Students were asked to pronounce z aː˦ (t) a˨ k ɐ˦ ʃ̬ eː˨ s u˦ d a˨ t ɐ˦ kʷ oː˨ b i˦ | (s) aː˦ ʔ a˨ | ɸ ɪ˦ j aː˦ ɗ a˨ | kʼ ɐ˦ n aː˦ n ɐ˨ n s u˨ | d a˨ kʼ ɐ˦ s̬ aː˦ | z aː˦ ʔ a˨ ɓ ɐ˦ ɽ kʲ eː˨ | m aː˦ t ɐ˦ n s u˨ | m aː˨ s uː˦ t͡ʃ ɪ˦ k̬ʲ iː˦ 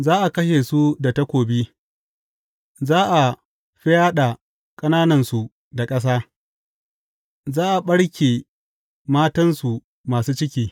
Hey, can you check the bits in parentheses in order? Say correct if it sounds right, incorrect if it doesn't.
incorrect: ʔ, incorrect: z

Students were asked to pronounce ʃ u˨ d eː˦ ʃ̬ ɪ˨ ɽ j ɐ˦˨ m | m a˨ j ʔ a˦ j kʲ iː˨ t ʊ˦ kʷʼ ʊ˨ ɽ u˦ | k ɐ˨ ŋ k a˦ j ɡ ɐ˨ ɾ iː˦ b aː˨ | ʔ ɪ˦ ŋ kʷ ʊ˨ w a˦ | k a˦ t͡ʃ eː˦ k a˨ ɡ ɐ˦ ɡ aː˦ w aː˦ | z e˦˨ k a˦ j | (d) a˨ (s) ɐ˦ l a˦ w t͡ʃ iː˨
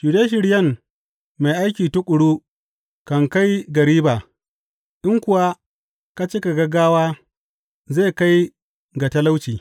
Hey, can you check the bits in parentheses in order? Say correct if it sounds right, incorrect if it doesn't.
incorrect: ɡ, incorrect: t

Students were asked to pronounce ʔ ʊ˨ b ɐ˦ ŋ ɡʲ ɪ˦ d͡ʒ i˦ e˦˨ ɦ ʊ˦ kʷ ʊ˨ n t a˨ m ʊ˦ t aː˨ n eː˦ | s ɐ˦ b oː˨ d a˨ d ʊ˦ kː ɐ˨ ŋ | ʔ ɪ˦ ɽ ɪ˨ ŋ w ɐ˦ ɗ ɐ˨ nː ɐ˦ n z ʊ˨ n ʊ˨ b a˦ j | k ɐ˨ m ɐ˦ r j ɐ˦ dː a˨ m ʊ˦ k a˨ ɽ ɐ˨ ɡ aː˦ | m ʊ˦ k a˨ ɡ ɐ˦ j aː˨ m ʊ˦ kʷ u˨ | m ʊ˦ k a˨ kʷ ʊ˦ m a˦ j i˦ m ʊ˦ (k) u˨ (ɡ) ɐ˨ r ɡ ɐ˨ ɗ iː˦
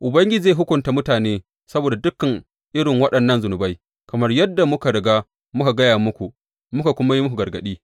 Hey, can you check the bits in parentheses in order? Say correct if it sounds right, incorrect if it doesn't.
correct, correct

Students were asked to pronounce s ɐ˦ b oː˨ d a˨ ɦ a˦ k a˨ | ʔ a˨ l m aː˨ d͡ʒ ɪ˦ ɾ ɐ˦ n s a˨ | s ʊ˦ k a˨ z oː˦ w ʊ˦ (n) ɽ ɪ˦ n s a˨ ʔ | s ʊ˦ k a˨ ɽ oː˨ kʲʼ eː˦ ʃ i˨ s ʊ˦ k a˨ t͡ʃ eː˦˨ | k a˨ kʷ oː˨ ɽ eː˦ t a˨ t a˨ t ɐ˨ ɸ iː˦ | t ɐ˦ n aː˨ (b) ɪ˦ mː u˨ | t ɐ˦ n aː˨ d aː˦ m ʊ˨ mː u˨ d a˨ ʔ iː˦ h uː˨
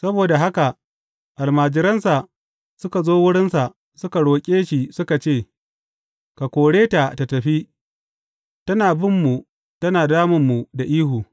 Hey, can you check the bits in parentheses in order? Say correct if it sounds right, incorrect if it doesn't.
incorrect: none, correct

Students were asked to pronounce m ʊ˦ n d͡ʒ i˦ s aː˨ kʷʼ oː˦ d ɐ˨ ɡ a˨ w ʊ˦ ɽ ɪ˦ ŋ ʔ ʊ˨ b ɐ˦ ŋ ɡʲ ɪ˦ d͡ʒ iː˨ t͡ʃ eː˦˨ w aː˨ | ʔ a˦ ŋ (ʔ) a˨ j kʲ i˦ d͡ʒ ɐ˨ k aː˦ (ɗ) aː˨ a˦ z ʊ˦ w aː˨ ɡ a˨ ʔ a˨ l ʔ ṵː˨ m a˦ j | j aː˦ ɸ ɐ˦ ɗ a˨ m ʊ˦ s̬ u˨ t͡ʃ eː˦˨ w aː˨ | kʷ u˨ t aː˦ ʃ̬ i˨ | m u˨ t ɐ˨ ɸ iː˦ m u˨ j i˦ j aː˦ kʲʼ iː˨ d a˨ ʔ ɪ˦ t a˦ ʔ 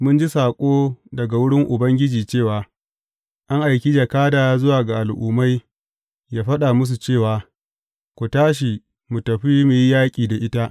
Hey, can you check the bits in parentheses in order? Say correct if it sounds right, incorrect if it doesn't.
correct, incorrect: d

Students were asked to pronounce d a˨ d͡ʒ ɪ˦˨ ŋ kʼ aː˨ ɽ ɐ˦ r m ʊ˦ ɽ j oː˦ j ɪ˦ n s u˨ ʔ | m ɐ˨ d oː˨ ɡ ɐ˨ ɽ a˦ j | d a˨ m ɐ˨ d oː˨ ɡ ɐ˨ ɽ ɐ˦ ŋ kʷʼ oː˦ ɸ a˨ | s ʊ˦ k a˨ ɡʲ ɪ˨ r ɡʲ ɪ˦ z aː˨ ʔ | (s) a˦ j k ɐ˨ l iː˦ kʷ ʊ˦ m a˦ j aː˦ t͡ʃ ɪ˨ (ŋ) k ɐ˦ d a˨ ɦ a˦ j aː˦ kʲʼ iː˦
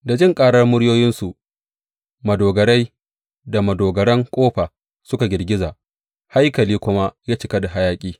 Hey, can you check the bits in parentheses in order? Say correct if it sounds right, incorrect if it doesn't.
incorrect: h, incorrect: none

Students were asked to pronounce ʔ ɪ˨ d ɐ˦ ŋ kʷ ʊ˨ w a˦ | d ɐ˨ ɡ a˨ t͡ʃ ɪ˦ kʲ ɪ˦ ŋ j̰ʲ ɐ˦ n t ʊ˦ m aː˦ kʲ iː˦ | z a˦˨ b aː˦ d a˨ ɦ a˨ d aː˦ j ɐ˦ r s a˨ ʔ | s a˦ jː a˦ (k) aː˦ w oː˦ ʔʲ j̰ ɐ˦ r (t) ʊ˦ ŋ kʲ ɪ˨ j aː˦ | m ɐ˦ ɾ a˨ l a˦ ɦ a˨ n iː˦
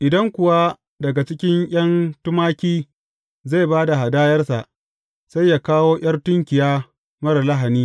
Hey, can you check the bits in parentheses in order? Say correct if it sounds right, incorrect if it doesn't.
correct, correct

